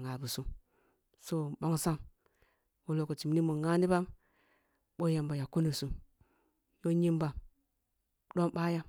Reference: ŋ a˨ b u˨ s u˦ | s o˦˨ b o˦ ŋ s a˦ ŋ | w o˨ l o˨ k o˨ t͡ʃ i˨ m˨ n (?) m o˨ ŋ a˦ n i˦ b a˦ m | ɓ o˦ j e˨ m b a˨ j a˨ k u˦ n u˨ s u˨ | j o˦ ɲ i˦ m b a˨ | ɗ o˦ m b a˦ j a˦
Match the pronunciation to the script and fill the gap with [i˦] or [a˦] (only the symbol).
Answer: i˦